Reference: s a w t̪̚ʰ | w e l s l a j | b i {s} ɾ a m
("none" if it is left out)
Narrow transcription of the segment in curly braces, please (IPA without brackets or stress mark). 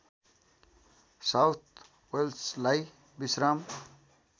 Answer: s